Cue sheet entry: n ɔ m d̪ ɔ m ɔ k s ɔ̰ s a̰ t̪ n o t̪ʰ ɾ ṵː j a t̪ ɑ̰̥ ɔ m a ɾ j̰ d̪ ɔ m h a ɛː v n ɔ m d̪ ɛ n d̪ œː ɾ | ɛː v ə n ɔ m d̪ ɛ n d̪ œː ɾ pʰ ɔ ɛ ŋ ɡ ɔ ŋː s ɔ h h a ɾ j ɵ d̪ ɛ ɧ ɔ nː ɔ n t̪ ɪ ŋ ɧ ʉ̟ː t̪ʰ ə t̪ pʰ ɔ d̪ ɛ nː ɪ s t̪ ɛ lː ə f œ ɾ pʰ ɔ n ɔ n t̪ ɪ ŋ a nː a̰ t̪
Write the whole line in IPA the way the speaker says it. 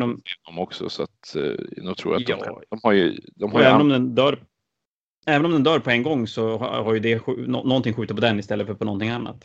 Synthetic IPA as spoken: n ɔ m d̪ ɔ m ɔ k s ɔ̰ s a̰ t̪ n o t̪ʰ ɾ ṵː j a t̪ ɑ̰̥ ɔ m a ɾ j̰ d̪ ɔ m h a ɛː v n ɔ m d̪ ɛ n d̪ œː ɾ | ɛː v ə n ɔ m d̪ ɛ n d̪ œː ɾ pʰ ɔ ɛ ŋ ɡ ɔ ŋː s ɔ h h a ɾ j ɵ d̪ ɛ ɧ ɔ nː ɔ n t̪ ɪ ŋ ɧ ʉ̟ː t̪ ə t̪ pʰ ɔ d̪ ɛ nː ɪ s t̪ ɛ lː ə f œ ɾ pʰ ɔ n ɔ n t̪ ɪ ŋ a nː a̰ t̪